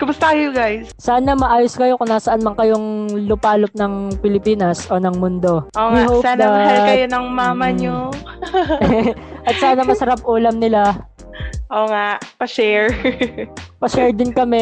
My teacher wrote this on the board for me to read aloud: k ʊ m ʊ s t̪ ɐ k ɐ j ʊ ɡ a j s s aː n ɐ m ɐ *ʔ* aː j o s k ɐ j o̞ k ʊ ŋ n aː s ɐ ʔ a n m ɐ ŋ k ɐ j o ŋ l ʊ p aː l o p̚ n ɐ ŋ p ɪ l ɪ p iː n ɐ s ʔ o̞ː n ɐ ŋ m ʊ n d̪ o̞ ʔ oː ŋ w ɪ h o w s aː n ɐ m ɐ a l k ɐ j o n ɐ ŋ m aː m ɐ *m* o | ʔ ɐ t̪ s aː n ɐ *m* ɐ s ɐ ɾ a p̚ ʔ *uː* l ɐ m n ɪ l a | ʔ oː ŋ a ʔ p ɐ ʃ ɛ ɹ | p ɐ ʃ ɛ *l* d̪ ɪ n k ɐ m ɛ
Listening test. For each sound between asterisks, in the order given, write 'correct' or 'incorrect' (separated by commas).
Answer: correct, incorrect, correct, correct, incorrect